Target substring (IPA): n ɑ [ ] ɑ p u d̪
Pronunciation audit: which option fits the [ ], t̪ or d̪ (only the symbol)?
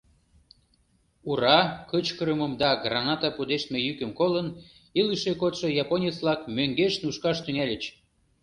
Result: t̪